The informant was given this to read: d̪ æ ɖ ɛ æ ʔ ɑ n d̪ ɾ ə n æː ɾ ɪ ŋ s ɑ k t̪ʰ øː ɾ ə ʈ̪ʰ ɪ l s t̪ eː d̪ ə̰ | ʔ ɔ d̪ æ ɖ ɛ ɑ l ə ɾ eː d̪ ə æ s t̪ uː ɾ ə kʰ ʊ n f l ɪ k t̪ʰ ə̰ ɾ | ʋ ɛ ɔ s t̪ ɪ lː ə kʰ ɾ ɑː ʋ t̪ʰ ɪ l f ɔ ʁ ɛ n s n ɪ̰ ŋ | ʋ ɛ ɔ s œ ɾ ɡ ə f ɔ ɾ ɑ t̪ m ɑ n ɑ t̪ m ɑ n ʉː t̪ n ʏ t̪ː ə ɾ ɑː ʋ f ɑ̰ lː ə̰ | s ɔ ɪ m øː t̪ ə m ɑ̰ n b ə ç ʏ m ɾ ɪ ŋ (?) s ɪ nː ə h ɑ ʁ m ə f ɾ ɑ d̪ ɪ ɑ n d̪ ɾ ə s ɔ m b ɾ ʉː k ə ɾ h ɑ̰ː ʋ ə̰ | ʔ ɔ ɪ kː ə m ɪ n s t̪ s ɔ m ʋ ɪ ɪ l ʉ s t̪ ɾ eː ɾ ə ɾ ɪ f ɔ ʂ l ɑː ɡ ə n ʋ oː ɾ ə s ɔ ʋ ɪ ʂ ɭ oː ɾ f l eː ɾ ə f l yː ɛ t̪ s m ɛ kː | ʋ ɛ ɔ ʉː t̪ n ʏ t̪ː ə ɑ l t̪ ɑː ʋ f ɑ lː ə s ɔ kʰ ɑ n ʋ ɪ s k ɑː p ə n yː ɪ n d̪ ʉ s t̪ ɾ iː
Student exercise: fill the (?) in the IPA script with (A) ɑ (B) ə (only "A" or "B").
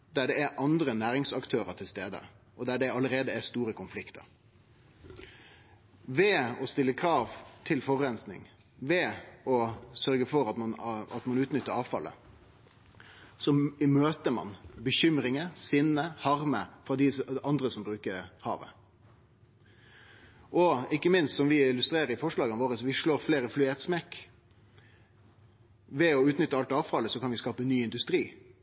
B